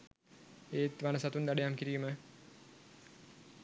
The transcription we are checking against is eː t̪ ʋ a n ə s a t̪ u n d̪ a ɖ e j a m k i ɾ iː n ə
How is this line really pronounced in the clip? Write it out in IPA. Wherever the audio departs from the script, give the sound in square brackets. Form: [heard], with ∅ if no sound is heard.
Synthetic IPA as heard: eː t̪ ʋ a n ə s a t̪ u n d̪ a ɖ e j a m k i ɾ iː [m] ə

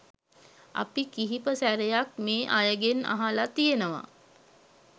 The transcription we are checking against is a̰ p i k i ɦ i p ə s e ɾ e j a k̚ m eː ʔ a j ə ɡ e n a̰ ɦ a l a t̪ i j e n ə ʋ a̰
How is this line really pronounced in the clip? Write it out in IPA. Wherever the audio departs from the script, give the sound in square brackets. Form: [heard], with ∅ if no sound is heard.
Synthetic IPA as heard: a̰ p i k i ɦ i p ə s [æ] ɾ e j a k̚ m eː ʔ a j ə ɡ e n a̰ ɦ a l a t̪ i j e n ə ʋ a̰

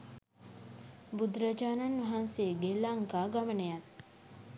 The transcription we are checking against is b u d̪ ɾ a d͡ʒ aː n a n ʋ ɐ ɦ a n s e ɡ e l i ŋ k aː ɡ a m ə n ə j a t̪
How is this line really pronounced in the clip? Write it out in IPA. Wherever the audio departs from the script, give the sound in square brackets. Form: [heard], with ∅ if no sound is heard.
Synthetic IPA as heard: b u d̪ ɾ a d͡ʒ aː n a n ʋ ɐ ɦ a n s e ɡ e l [a] ŋ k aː ɡ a m ə n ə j a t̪

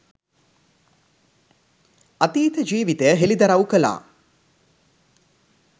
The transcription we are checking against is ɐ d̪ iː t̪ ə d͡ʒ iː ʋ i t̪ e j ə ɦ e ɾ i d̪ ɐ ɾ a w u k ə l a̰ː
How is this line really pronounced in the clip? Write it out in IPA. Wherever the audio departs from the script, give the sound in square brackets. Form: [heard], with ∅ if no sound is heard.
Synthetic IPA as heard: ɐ [t̪] iː t̪ ə d͡ʒ iː ʋ i t̪ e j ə ɦ e [l] i d̪ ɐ ɾ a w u k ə l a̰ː

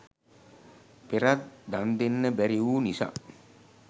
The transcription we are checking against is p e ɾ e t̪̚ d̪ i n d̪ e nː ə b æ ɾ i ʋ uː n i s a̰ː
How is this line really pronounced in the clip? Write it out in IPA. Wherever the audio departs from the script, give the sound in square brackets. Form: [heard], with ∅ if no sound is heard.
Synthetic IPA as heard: p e ɾ [a] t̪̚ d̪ [a] n d̪ e nː ə b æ ɾ i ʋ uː n i s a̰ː

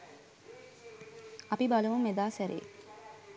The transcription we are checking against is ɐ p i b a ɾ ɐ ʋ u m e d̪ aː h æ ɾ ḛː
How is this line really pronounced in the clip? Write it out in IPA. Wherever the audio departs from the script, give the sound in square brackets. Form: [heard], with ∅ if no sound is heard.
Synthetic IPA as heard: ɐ p i b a [l] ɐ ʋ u m e d̪ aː [s] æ ɾ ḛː

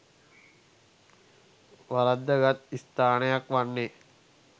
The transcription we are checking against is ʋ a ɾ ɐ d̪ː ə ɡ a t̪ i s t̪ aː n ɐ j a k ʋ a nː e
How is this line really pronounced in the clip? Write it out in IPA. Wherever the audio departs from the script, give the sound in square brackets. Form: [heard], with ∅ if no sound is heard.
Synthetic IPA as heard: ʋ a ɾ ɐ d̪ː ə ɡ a t̪ i s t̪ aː n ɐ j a k ʋ a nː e

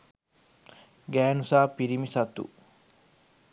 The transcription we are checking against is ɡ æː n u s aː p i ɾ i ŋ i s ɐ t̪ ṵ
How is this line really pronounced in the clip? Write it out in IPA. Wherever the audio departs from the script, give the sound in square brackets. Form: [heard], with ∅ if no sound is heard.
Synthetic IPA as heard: ɡ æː n u s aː p i ɾ i [m] i s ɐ t̪ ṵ

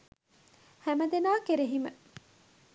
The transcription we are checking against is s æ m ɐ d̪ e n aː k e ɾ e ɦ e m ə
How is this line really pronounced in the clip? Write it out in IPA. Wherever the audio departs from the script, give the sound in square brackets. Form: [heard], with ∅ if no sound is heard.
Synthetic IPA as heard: [h] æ m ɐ d̪ e n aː k e ɾ e ɦ [i] m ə

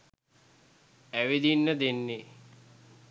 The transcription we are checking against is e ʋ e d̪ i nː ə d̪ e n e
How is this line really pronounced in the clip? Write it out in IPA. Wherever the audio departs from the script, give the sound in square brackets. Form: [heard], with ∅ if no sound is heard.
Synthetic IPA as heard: [æ] ʋ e d̪ i nː ə d̪ e [nː] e

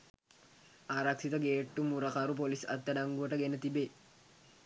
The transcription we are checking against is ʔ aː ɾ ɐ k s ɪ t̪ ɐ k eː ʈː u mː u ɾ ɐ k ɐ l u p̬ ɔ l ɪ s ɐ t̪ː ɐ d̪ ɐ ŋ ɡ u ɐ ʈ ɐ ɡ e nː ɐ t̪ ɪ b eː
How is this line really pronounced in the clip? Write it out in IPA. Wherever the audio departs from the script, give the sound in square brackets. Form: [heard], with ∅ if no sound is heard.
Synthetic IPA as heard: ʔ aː ɾ ɐ k s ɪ t̪ ɐ [ɡ] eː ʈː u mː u ɾ ɐ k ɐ [ɾ] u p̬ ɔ l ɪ s ɐ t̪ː ɐ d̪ ɐ ŋ ɡ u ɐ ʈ ɐ ɡ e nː ɐ t̪ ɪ b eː

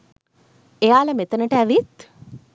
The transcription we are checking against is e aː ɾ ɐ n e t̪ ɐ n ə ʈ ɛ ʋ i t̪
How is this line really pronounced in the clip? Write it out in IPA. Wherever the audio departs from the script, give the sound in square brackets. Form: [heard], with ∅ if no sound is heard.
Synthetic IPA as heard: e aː [l] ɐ [m] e t̪ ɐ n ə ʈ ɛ ʋ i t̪

